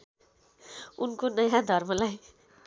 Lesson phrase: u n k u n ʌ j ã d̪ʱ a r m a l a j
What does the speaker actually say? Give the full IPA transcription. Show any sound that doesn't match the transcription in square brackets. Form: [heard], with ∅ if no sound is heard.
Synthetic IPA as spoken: u n k [o] n ʌ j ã d̪ʱ [ʌ] r m [ʌ] l a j